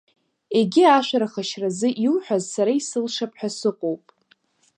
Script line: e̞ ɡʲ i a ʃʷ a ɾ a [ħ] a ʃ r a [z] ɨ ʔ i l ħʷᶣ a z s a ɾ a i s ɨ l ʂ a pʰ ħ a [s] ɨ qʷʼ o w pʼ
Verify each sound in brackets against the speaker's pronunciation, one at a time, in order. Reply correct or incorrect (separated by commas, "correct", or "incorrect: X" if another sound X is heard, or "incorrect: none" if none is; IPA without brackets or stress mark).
incorrect: χ, correct, correct